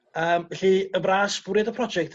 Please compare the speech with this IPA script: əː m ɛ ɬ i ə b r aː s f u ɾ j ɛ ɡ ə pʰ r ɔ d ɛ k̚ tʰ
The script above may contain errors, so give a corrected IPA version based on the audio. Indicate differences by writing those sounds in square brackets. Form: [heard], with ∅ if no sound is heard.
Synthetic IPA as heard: əː m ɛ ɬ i ə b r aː s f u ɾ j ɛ [d] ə pʰ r ɔ [d͡ʒ] ɛ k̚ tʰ